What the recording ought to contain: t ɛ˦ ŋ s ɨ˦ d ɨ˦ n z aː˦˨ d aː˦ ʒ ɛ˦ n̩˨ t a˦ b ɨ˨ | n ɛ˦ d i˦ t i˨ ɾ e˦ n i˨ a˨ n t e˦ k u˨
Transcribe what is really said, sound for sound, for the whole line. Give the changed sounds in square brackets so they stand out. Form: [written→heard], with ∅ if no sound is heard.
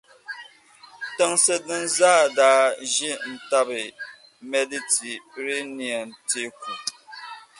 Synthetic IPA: t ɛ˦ ŋ s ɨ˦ d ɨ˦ n z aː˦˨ d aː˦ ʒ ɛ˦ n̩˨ t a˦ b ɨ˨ | [n→m] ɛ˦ d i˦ t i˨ ɾ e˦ n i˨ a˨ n t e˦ k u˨